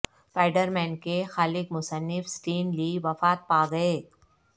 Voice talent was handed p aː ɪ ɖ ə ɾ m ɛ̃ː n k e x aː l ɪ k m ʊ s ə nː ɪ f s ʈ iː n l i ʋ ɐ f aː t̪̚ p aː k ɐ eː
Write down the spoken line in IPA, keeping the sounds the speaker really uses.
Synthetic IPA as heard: p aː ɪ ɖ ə ɾ m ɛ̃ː n k e x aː l ɪ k m ʊ s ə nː ɪ f s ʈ iː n l i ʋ ɐ f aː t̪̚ p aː ɡ ɐ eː